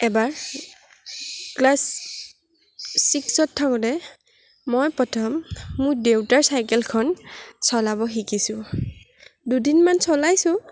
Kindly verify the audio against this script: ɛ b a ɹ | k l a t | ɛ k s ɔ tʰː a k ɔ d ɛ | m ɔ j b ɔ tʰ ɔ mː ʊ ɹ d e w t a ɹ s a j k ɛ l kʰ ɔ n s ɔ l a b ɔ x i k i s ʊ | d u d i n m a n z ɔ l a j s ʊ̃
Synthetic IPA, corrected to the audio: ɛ b a ɹ | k l a s | i k s ɔ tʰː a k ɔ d ɛ | m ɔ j p ɔ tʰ ɔ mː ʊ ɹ d e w t a ɹ s a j k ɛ l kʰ ɔ n s ɔ l a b ɔ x i k i s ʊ | d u d i n m a n s ɔ l a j s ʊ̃